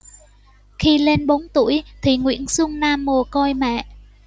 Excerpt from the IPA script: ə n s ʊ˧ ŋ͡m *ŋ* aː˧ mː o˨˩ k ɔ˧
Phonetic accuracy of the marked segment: incorrect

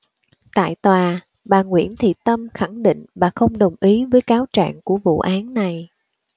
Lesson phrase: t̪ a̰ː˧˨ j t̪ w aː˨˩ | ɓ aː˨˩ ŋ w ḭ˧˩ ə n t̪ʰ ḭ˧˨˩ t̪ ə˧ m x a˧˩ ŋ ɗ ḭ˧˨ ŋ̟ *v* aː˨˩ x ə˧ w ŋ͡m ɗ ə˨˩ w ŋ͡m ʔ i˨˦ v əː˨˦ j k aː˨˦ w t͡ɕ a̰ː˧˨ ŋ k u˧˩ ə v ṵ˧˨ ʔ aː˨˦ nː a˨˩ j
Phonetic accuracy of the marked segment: correct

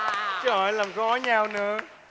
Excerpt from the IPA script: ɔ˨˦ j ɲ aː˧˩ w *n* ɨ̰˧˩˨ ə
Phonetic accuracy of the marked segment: correct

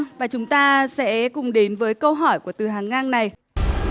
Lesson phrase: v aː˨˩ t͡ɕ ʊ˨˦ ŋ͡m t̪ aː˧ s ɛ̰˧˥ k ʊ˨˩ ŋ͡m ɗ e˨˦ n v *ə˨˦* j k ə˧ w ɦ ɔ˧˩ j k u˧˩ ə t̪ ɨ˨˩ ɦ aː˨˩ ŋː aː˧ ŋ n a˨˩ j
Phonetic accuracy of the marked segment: incorrect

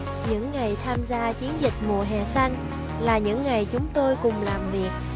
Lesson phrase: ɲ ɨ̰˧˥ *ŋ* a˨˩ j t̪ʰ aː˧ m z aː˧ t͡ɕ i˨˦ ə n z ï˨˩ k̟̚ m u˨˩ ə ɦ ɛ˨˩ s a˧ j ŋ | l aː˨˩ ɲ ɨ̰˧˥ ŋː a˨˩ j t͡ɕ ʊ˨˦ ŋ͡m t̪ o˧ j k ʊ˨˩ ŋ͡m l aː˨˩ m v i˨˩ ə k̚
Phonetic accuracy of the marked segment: incorrect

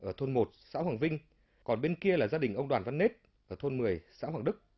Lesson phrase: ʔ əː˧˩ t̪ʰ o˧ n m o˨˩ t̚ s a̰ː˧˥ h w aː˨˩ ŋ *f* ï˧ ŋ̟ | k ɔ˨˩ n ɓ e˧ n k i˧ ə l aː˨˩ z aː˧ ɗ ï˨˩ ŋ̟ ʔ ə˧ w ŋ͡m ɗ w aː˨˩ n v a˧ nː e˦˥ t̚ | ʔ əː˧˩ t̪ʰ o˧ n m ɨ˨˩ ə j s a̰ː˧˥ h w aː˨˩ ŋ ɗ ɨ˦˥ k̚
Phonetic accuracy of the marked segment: incorrect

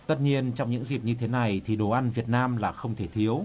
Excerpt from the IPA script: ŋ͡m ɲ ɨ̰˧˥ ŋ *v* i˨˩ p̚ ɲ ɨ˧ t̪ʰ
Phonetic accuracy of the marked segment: incorrect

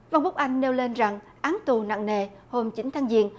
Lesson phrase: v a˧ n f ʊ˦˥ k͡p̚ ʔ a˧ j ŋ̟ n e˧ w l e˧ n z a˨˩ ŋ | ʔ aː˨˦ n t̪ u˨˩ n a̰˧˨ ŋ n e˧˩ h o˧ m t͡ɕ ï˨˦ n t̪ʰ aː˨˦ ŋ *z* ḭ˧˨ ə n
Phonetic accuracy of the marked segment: correct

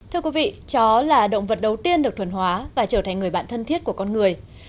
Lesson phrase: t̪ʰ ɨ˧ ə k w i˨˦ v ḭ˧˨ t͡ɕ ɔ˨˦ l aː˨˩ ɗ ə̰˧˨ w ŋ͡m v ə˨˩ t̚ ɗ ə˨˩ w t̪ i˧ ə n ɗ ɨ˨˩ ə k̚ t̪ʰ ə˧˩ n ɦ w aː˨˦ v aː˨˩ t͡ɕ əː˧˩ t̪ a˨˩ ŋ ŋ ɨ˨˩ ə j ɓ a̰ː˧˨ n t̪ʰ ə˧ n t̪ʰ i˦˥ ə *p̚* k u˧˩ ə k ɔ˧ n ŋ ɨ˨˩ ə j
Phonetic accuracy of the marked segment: incorrect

